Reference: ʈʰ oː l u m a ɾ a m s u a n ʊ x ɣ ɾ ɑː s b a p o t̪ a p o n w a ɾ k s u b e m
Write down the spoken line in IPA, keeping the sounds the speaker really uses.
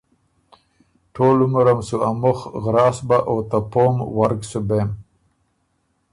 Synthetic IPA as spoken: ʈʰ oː l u m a ɾ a m s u a m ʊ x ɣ ɾ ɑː s b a ʔ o t̪ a p o m w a ɾ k s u b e m